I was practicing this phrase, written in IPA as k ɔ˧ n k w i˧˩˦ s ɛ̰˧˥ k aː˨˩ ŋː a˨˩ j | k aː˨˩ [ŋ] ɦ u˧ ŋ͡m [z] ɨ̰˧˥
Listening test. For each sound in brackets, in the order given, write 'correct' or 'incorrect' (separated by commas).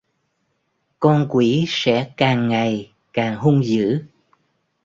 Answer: correct, correct